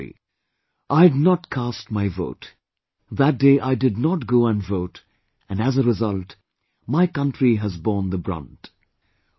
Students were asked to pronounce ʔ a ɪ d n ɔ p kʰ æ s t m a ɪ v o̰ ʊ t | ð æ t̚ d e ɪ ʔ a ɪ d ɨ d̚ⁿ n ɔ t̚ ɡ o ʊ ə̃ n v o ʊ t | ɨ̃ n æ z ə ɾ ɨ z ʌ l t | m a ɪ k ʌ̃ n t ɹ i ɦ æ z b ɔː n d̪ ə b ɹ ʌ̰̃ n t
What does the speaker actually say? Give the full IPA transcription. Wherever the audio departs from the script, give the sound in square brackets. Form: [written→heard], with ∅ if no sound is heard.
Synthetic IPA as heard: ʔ a ɪ d n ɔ [p→t] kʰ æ s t m a ɪ v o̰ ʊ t | ð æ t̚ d e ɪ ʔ a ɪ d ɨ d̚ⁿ n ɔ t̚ ɡ o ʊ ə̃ n v o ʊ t | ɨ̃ n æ z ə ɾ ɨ z ʌ l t | m a ɪ k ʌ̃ n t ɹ i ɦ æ z b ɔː n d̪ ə b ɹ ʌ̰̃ n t